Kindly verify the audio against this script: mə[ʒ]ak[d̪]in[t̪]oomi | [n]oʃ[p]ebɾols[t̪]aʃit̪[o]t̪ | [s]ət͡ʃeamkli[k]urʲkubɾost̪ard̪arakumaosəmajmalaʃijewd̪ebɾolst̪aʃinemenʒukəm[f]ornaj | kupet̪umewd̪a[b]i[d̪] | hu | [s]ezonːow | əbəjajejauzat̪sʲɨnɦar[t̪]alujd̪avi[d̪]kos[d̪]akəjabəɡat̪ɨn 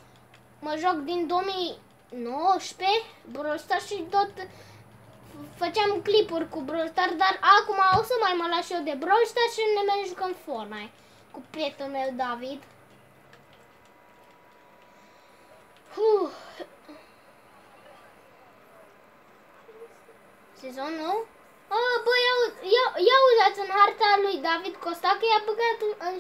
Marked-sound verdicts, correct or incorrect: correct, correct, incorrect, correct, correct, correct, correct, incorrect, incorrect, correct, incorrect, correct, correct, correct, correct, incorrect

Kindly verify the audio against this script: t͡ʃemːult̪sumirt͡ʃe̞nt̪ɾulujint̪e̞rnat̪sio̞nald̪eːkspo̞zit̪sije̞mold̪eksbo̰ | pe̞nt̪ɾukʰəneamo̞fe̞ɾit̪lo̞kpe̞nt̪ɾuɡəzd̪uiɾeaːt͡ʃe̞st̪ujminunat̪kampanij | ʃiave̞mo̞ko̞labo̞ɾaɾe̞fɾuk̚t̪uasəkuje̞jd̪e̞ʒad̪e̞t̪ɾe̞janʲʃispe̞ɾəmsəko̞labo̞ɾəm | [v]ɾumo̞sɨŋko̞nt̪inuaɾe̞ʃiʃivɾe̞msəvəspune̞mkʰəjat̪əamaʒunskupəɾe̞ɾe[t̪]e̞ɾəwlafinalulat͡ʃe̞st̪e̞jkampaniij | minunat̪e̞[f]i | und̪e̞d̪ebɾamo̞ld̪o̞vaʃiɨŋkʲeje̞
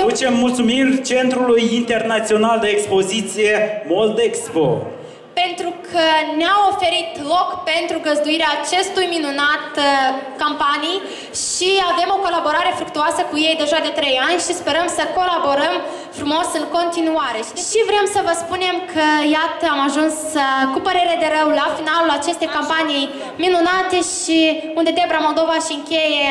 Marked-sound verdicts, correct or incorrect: incorrect, incorrect, incorrect

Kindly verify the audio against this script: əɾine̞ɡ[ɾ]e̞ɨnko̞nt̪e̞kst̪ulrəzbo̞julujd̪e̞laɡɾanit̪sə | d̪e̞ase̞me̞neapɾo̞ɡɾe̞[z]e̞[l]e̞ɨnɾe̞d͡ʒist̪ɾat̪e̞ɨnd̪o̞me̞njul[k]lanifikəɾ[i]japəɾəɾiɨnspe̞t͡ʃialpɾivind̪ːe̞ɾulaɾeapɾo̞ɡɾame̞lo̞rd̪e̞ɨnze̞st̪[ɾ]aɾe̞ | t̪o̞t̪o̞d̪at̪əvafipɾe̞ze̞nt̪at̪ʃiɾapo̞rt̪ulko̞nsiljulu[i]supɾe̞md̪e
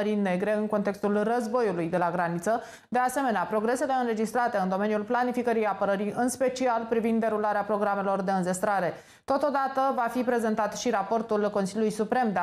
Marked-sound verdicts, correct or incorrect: correct, incorrect, correct, incorrect, correct, correct, incorrect

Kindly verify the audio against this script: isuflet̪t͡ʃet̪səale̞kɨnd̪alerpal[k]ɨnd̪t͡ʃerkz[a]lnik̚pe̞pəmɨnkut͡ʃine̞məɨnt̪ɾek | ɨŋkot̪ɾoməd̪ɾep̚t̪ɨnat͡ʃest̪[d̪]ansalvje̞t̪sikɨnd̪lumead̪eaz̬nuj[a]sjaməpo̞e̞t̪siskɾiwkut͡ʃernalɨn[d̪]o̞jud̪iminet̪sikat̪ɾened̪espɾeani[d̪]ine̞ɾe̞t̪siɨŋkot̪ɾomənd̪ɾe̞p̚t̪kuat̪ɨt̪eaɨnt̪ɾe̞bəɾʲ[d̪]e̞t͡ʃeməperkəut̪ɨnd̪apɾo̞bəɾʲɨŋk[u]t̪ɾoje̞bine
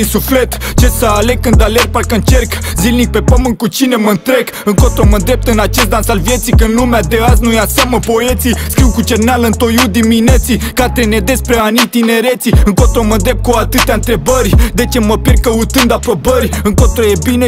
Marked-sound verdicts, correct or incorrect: correct, incorrect, correct, correct, incorrect, incorrect, correct, incorrect

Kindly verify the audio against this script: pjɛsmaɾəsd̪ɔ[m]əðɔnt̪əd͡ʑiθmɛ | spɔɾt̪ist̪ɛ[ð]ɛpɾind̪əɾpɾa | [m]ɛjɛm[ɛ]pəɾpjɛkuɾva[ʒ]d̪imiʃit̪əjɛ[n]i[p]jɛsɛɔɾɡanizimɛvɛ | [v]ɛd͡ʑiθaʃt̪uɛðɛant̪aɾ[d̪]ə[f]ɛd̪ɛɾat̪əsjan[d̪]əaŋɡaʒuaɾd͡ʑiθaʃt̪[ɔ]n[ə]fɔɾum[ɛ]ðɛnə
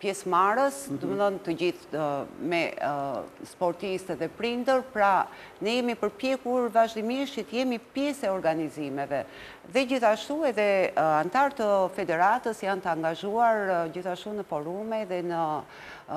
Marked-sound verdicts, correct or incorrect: correct, correct, incorrect, incorrect, correct, incorrect, correct, incorrect, incorrect, correct, incorrect, incorrect, correct, correct

